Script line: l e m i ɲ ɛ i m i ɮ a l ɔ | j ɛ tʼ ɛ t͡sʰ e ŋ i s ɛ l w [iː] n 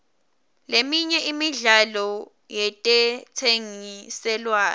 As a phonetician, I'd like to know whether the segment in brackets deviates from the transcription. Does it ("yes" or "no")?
yes